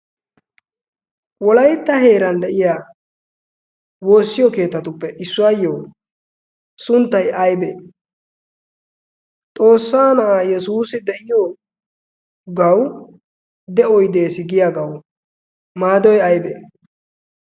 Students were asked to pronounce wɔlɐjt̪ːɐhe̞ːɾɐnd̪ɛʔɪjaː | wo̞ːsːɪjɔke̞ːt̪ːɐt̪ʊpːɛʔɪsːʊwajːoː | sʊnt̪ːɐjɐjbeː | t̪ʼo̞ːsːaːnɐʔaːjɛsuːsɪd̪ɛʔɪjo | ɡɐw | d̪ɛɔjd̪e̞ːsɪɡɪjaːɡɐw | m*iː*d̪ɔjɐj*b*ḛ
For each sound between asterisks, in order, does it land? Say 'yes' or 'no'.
no, yes

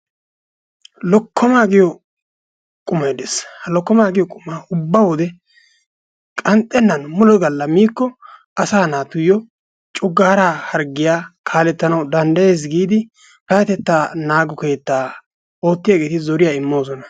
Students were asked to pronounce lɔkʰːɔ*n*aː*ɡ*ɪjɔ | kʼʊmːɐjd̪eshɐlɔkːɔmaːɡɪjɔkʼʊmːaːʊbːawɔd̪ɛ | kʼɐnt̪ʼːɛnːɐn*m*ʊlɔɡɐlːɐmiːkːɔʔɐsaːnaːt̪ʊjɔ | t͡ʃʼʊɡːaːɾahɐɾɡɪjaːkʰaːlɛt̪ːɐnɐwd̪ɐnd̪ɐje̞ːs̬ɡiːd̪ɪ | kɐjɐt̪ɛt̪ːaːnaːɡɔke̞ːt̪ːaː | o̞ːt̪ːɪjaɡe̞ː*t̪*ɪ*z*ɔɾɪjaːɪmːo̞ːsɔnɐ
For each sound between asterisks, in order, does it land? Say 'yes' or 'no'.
no, yes, yes, yes, yes

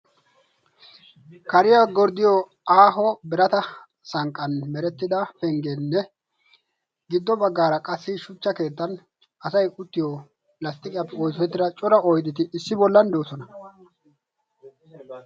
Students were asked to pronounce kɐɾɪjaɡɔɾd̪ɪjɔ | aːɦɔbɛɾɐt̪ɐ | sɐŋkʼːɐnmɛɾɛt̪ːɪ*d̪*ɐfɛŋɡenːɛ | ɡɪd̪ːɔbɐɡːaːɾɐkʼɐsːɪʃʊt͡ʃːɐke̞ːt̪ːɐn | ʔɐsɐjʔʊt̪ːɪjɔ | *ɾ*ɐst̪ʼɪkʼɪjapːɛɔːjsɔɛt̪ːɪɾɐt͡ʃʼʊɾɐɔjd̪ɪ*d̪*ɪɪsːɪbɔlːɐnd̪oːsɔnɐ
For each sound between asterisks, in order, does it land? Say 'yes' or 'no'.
yes, no, no

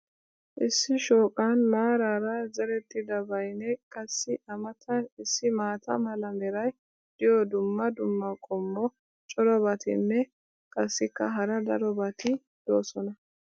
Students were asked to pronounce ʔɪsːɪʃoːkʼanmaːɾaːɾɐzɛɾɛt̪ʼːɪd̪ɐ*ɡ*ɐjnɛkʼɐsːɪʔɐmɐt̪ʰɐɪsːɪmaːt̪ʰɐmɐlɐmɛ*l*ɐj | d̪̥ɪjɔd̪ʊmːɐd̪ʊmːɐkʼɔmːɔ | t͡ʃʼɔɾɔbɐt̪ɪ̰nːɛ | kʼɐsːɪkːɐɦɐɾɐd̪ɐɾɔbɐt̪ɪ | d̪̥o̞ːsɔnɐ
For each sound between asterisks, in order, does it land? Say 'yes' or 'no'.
no, no

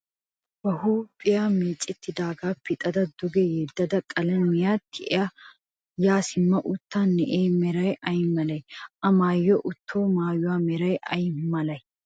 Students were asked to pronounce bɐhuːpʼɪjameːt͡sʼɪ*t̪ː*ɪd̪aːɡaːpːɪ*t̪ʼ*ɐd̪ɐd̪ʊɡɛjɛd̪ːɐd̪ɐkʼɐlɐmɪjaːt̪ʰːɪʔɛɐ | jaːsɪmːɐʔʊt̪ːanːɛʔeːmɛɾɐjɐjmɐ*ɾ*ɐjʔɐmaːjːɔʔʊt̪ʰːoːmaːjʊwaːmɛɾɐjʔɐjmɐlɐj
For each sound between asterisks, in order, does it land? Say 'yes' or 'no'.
yes, yes, no

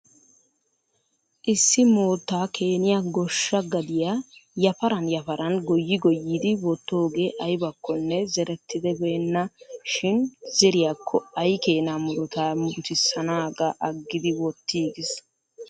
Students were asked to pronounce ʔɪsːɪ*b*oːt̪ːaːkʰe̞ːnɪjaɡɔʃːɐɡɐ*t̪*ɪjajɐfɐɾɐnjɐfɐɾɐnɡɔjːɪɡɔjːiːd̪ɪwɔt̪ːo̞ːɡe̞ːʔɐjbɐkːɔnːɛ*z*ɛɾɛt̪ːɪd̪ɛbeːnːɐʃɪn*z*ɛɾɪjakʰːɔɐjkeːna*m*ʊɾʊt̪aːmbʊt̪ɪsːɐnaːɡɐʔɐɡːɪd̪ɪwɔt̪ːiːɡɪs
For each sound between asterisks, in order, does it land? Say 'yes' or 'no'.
no, no, yes, yes, yes

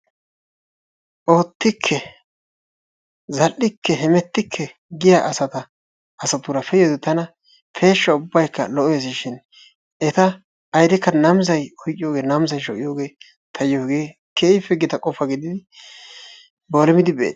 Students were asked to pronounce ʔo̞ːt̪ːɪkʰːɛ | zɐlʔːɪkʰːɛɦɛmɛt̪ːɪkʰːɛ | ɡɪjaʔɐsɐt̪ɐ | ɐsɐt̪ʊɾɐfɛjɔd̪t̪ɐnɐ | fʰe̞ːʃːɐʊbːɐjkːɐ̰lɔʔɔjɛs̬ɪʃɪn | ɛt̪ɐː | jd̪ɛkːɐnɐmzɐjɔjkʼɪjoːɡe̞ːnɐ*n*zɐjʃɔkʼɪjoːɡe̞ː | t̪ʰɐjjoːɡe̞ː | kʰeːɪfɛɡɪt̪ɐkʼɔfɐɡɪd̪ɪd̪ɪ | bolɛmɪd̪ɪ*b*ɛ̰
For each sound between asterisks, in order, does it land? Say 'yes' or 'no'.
no, yes

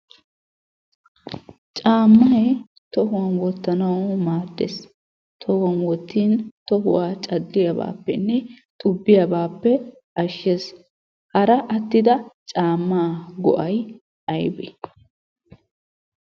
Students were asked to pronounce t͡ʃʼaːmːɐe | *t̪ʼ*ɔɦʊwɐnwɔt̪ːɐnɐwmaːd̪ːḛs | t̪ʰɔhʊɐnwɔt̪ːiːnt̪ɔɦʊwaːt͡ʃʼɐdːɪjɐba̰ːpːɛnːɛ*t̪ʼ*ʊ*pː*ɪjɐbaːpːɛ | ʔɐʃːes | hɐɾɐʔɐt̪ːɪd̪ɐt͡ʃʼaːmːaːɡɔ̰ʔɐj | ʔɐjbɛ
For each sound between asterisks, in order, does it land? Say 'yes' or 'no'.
no, yes, no

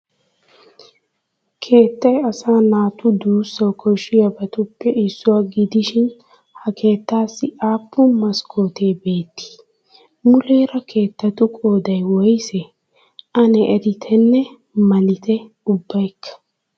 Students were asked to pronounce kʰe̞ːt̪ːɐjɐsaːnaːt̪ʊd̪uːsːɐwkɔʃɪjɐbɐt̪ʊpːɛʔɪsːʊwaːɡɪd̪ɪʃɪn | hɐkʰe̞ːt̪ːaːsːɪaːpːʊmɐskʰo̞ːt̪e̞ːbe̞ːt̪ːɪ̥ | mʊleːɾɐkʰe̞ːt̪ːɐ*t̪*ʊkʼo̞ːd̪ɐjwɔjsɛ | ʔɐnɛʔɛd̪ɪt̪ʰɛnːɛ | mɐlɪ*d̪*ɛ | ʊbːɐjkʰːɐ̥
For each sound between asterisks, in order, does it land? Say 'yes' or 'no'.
yes, no

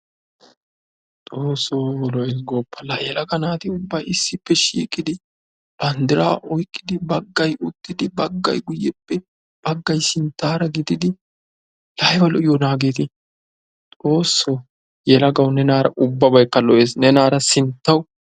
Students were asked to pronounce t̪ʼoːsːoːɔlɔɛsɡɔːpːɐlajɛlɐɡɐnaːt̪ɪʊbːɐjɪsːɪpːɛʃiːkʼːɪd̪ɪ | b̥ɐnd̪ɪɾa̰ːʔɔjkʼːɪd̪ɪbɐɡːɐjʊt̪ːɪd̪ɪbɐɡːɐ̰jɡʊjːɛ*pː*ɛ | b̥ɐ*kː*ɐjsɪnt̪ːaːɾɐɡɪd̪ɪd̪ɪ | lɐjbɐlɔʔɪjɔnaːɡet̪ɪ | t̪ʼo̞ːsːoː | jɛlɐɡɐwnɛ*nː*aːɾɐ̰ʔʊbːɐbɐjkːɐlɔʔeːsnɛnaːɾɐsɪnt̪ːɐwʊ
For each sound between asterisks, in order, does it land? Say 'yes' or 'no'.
yes, no, no

